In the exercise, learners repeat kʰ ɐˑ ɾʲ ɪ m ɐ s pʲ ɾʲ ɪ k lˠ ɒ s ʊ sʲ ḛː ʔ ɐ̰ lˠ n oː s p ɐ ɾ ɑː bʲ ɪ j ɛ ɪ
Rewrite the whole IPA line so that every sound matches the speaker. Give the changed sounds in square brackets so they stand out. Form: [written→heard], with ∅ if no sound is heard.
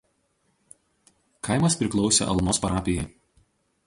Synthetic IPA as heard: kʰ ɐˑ [ɾʲ→∅] ɪ m ɐ s pʲ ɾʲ ɪ k lˠ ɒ [s→∅] ʊ sʲ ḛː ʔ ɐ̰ lˠ n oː s p ɐ ɾ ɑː [bʲ→pʲ] ɪ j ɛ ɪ